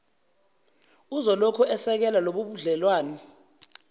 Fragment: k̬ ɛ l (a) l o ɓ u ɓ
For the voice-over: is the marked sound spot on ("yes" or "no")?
yes